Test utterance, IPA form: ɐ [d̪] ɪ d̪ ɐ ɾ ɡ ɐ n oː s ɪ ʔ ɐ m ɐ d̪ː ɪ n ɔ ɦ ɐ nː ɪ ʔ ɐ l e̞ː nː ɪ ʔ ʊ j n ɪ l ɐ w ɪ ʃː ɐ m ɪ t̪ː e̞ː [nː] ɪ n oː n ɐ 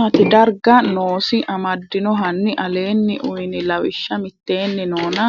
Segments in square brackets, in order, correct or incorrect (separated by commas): incorrect, correct